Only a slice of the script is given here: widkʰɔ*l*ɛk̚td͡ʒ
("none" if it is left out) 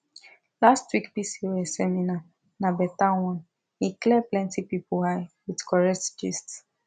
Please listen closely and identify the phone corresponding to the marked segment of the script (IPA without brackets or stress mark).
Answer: ɹ